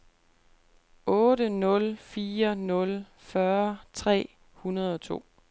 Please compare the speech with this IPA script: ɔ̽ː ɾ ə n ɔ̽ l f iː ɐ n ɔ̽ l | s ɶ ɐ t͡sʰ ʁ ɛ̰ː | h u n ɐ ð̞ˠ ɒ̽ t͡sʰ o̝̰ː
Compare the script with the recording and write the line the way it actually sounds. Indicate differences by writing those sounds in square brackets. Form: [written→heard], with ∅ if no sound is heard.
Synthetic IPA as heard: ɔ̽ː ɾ ə n ɔ̽ l f iː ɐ n ɔ̽ l | [s→f] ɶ ɐ t͡sʰ ʁ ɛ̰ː | h u n ɐ ð̞ˠ ɒ̽ t͡sʰ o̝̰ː